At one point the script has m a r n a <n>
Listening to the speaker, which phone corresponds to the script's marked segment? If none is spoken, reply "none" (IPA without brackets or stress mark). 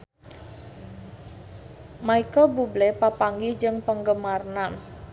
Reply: n